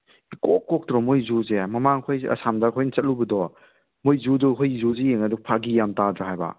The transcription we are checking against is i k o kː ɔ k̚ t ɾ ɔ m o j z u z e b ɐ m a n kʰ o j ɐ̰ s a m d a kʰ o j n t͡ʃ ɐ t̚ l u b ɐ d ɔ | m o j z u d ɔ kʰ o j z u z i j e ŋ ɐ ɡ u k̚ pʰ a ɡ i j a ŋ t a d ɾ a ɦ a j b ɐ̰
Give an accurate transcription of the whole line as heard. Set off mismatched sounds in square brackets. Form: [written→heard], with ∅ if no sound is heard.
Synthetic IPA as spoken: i k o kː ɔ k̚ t ɾ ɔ m o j z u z e [b→m] ɐ m a [n→ŋ] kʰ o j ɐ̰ s a m d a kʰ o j n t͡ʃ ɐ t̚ l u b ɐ d ɔ | m o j z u d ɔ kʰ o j z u z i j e ŋ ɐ [ɡ→d] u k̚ pʰ a ɡ i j a [ŋ→m] t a d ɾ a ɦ a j b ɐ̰